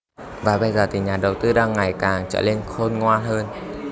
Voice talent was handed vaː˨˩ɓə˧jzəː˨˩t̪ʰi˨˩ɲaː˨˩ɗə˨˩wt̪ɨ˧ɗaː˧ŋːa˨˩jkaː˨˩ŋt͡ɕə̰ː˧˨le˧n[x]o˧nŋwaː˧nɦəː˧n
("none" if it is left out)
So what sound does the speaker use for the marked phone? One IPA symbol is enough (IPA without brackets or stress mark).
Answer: x